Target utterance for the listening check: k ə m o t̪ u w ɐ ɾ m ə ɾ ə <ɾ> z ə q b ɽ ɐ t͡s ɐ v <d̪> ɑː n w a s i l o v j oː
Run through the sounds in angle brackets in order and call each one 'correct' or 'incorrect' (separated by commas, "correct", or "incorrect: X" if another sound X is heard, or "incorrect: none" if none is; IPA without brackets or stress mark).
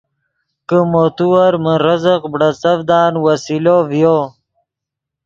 incorrect: none, correct